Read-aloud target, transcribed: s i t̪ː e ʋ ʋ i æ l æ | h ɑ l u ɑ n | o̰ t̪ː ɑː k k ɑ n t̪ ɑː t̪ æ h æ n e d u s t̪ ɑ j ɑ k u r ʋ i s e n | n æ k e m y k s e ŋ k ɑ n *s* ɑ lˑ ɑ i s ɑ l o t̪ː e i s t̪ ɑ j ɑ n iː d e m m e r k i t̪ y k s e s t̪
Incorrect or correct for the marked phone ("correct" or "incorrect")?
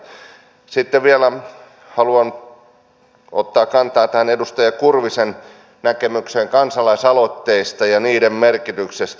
correct